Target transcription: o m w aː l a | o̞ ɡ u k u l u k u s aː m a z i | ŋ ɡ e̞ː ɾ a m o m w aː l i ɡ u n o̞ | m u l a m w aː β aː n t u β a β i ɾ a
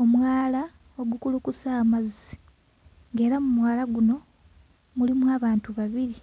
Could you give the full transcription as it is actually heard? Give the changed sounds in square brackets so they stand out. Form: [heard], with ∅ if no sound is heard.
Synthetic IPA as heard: o m w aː l a | o̞ ɡ u k u l u k u s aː m a z i | ŋ ɡ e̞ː ɾ a m [u] m w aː l [a] ɡ u n o̞ | m u l [i] m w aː β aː n t u β a β i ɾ [i]